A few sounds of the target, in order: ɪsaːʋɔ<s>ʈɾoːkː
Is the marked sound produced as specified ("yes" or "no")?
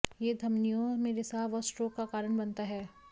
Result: yes